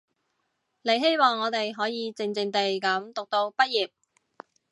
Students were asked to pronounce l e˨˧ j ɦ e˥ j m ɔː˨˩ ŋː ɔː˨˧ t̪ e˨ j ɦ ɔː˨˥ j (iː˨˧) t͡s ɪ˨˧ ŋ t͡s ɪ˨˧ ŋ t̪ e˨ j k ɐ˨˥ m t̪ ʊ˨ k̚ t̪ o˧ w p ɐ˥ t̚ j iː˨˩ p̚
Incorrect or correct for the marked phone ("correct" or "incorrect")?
correct